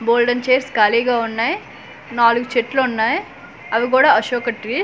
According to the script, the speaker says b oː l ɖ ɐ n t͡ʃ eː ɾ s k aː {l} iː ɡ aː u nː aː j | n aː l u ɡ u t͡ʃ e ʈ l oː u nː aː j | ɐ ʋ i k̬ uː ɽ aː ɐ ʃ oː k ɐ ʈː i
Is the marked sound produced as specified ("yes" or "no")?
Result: yes